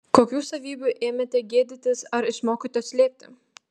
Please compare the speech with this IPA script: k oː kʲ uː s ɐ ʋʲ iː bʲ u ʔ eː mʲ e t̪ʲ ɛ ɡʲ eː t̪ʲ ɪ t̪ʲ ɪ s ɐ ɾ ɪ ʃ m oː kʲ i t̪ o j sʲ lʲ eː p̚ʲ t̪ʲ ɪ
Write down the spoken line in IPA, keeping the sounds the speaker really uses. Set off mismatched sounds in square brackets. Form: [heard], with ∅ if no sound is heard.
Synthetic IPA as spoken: k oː kʲ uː s ɐ ʋʲ iː bʲ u ʔ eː mʲ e t̪ʲ ɛ ɡʲ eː [d̪ʲ] ɪ t̪ʲ ɪ s ɐ ɾ ɪ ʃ m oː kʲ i t̪ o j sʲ lʲ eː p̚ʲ t̪ʲ ɪ